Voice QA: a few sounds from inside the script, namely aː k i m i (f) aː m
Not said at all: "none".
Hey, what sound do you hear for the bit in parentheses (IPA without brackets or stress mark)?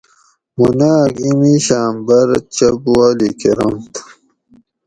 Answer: ɕ